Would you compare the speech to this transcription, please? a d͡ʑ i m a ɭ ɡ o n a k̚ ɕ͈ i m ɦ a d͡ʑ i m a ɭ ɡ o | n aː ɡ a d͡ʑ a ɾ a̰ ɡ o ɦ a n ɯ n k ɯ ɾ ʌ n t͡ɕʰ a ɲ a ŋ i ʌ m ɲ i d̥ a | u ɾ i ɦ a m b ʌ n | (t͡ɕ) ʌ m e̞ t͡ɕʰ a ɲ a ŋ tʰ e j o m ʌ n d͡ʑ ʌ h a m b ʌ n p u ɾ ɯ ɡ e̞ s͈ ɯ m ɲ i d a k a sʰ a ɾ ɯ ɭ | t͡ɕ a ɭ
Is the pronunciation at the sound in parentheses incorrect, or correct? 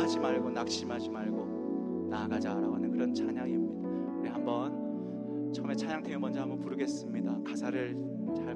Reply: incorrect